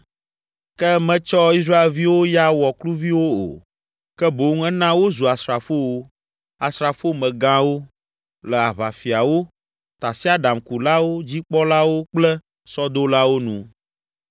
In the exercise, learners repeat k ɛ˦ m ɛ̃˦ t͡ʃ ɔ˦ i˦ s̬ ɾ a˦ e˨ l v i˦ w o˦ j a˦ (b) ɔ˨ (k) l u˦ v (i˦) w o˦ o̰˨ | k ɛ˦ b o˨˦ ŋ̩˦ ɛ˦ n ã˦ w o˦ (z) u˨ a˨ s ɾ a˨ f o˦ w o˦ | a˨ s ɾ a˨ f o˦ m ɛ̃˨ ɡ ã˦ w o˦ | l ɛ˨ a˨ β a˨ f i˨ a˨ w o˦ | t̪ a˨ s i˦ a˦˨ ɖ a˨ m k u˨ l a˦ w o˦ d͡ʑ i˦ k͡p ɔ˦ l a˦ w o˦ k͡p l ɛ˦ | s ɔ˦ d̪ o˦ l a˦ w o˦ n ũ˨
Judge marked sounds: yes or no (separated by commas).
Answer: no, yes, yes, yes